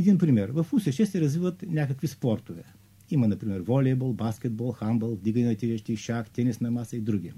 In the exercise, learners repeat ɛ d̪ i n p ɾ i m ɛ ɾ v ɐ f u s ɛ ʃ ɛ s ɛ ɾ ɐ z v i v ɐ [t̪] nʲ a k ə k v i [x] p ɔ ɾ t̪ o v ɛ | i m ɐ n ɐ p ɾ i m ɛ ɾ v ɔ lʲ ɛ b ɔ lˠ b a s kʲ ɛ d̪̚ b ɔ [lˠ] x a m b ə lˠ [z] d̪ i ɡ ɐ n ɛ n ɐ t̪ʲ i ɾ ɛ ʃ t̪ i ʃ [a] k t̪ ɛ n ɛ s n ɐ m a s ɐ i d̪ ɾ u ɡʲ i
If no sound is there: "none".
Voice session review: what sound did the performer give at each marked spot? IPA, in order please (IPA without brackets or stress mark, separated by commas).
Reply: t̪, s, lˠ, v, a